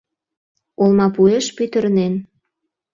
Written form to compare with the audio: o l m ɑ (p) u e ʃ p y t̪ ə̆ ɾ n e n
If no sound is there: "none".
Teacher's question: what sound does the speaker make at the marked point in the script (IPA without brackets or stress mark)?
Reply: p